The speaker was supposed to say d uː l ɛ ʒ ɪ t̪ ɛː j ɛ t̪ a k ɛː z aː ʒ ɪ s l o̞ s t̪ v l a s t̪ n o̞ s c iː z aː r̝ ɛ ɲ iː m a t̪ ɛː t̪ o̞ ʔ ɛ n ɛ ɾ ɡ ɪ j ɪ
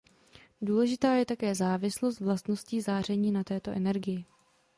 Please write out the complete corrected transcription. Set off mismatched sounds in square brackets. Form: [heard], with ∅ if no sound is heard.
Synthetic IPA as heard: d uː l ɛ ʒ ɪ t̪ [aː] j ɛ t̪ a k ɛː z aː [v] ɪ s l o̞ s t̪ v l a s t̪ n o̞ s c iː z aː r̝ ɛ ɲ iː [n] a t̪ ɛː t̪ o̞ ʔ ɛ n ɛ ɾ ɡ ɪ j ɪ